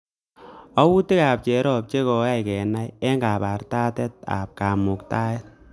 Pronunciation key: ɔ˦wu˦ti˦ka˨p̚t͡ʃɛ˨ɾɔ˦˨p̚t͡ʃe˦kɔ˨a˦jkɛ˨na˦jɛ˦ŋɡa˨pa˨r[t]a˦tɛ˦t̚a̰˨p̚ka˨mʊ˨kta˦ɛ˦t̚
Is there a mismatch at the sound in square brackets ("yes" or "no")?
no